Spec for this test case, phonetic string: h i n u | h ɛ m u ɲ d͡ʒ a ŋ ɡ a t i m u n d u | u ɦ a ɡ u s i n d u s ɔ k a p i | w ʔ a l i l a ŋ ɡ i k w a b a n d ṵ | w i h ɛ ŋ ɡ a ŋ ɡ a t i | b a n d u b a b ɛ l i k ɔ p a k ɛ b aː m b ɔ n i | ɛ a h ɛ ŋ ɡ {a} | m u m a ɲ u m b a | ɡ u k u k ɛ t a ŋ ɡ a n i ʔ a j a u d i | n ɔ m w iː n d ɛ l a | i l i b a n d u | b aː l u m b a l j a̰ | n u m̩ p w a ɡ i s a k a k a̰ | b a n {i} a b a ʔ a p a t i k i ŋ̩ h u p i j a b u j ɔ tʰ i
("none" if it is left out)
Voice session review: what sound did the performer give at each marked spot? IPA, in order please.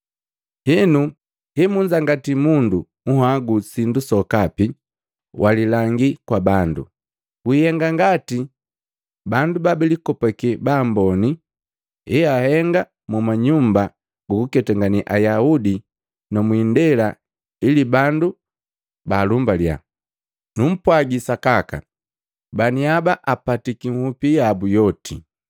a, i

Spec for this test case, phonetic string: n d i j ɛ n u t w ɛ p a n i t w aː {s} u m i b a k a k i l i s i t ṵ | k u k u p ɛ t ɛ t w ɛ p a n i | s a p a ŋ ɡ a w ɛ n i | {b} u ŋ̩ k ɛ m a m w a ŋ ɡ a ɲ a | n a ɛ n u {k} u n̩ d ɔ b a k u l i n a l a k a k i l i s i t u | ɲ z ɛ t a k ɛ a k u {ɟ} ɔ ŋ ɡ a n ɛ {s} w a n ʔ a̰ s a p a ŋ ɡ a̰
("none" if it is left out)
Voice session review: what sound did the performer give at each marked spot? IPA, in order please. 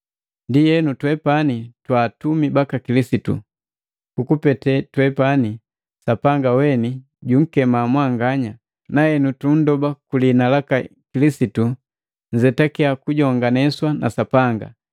t, ɟ, t, ɟ, s

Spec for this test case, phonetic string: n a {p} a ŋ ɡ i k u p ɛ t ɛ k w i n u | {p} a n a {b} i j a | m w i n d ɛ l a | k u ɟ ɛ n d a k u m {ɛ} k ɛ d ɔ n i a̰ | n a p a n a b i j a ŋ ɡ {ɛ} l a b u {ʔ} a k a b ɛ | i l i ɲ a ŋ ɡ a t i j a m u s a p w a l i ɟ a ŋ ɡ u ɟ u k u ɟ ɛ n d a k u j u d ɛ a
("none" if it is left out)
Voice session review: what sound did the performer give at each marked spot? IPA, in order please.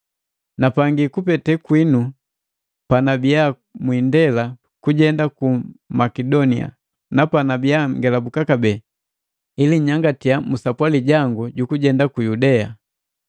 p, p, b, a, ɛ, k

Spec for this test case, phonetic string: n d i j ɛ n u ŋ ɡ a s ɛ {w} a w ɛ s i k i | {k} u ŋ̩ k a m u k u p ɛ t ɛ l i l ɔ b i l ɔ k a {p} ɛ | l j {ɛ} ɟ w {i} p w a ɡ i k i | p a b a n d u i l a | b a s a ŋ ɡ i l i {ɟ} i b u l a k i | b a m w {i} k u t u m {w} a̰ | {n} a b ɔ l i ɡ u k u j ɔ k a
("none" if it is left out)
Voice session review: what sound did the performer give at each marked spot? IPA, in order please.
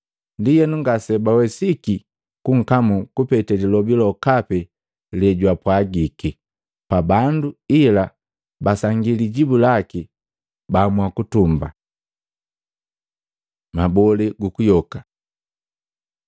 b, k, p, ɛ, a, ɟ, a, b, m

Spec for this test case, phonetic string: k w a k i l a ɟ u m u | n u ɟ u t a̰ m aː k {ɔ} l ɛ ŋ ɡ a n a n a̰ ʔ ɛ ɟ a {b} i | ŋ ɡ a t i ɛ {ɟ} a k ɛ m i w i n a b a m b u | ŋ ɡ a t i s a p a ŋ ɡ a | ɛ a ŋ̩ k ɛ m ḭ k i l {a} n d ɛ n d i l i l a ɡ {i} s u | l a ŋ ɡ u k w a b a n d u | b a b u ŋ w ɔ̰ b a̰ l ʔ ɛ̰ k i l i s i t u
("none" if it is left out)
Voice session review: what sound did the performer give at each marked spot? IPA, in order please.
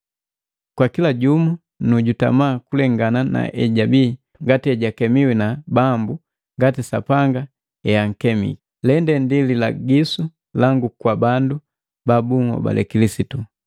u, b, ɟ, ɛ, i

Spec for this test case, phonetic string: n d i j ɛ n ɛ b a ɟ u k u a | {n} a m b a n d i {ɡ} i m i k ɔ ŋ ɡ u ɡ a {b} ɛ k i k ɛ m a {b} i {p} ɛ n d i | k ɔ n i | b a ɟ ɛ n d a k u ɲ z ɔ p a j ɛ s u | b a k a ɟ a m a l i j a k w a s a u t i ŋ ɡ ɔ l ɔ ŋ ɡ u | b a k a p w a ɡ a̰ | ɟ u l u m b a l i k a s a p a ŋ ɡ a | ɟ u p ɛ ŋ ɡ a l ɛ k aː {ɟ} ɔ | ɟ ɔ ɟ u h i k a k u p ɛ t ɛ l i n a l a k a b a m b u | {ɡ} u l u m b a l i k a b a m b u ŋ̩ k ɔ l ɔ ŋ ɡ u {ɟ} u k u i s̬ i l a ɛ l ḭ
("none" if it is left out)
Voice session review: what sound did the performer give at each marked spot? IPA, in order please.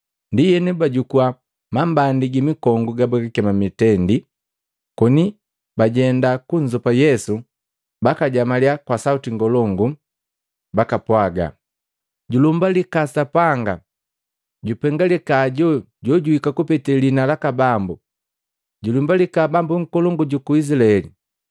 m, ɡ, b, m, t, ɟ, ɟ, ɟ

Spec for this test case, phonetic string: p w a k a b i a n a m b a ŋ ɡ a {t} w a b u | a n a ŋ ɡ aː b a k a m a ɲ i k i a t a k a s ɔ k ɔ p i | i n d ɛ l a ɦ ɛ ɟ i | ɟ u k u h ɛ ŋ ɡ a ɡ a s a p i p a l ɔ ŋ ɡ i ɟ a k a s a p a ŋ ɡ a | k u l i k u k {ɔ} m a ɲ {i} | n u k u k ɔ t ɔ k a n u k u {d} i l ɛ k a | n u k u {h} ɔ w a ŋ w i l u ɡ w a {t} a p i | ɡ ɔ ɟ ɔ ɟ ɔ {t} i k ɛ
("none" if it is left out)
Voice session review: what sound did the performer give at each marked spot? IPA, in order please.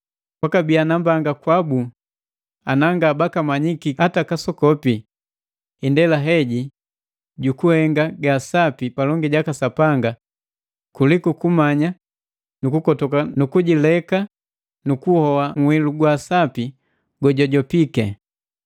k, u, a, ɟ, h, s, p

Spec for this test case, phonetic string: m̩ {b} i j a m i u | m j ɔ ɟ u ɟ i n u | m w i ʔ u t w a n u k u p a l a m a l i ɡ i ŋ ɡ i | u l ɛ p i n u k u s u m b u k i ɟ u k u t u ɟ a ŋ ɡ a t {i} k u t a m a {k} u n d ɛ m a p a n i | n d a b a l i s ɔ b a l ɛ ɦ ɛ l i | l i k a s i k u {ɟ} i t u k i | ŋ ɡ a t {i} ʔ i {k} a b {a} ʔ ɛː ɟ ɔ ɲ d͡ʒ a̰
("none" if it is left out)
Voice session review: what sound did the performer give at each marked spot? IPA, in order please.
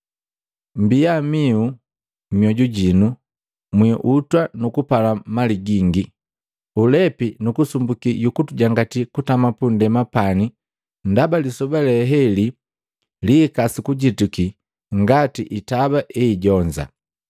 b, i, p, ɟ, i, t, a

